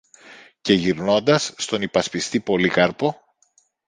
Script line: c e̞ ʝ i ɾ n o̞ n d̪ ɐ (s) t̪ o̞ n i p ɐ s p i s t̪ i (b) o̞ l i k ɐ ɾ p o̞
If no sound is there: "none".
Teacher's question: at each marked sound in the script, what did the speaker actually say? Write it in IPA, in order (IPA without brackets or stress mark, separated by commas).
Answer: sː, p